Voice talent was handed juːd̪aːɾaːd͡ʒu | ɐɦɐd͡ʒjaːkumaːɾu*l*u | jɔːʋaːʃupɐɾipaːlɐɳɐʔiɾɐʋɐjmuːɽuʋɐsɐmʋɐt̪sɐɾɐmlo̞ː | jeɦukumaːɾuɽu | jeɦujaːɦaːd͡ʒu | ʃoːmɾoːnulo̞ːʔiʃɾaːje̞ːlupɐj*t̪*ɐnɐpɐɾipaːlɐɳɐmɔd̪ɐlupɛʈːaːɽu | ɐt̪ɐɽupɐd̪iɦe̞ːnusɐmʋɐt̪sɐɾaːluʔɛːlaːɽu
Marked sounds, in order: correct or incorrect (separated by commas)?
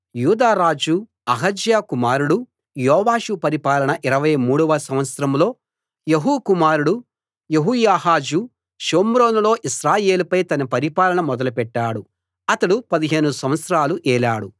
incorrect, correct